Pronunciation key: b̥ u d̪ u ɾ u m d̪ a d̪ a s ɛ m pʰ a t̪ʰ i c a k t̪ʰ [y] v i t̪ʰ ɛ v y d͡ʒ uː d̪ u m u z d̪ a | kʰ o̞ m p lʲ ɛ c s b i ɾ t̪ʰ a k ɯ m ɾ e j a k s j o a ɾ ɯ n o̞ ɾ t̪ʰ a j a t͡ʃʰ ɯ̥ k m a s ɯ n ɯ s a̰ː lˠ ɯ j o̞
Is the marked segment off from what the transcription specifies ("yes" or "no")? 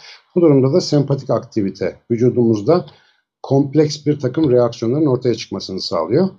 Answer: yes